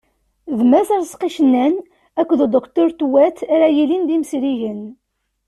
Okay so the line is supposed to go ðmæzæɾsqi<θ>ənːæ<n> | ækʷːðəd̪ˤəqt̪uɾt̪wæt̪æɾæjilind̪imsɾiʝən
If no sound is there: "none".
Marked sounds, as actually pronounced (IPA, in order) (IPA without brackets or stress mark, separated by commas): ʃ, n